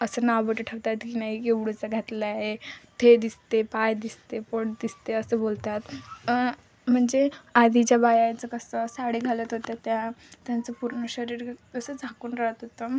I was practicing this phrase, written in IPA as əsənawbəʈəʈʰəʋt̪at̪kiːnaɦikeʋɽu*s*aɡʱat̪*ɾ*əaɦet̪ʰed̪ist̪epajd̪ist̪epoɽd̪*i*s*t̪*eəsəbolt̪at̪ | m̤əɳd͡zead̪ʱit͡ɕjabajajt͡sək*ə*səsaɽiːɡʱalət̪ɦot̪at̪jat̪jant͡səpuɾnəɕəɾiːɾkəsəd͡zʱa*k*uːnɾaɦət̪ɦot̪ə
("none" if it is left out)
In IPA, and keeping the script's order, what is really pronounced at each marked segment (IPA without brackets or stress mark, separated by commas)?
t͡s, l, i, t̪, ə, k